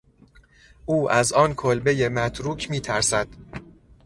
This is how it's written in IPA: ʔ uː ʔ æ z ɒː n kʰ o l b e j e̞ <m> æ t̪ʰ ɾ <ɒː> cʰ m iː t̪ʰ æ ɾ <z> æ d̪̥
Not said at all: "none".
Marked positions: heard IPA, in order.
m, uː, s

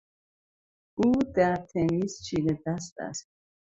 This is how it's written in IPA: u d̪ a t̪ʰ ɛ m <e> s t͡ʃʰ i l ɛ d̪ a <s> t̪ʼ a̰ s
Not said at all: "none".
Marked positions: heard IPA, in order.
i, s

